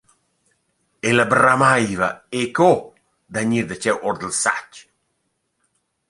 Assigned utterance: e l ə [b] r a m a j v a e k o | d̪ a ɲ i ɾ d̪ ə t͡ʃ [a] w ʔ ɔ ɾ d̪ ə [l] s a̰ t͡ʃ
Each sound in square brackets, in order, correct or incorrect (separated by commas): correct, incorrect, correct